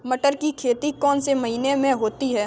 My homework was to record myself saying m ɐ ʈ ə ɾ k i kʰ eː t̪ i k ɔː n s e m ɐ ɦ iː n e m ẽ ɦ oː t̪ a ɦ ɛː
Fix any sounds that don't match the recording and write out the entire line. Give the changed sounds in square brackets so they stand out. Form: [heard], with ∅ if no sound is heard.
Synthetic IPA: m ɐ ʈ ə ɾ k i kʰ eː t̪ i k ɔː n s e m ɐ ɦ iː n e m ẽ ɦ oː t̪ [i] ɦ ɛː